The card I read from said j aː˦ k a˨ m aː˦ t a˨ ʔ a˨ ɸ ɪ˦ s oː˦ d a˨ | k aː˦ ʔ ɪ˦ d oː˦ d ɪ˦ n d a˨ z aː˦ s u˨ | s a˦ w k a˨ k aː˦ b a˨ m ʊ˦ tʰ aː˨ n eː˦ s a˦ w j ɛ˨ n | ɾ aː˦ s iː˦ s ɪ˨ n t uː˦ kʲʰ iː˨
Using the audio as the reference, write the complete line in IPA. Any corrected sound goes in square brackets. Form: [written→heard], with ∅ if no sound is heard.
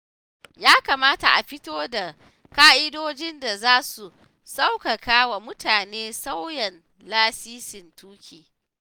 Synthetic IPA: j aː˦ k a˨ m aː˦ t a˨ ʔ a˨ ɸ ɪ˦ [s→t] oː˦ d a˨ | k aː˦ ʔ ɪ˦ d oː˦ [d→d͡ʒ] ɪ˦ n d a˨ z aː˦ s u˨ | s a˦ w k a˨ k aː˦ [b→w] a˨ m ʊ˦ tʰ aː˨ n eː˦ s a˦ w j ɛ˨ n | [ɾ→l] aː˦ s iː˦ s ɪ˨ n t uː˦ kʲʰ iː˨